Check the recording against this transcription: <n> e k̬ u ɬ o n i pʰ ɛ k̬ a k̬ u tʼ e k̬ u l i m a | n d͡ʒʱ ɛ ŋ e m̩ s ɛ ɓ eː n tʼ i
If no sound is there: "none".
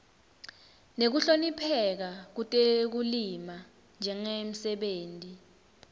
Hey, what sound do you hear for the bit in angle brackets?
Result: n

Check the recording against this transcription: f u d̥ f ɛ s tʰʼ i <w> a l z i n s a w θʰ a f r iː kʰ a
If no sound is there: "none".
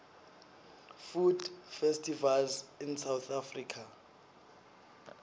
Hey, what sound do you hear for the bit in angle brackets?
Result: v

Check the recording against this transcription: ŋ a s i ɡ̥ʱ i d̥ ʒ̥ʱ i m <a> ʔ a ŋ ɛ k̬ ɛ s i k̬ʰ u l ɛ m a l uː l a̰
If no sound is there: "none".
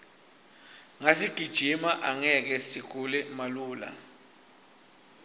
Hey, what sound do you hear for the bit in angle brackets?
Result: a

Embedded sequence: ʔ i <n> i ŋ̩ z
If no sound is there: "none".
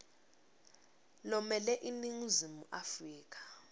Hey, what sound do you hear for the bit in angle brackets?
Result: n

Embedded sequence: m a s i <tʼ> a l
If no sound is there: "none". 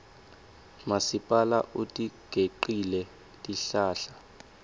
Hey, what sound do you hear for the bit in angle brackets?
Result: pʼ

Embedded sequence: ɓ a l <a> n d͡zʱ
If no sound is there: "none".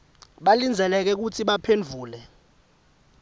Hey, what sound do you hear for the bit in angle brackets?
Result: i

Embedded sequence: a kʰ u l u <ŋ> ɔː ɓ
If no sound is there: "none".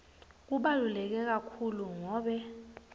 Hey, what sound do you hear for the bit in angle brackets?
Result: ŋ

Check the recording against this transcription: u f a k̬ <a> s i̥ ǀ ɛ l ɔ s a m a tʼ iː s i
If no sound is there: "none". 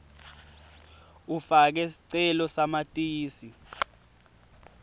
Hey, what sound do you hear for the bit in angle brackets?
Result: ɛ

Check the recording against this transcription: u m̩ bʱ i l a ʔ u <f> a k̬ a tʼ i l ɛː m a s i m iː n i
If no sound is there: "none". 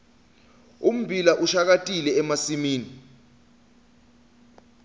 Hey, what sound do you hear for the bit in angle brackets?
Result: ʃ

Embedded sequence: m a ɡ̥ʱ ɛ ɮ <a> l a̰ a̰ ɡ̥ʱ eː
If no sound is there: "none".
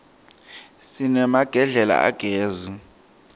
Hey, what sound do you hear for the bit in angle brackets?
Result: ɛ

